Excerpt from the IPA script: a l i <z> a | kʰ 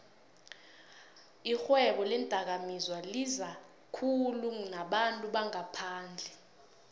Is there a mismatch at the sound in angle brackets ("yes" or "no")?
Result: no